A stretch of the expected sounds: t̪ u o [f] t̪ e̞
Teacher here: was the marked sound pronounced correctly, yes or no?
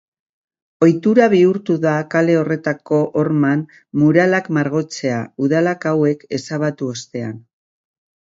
no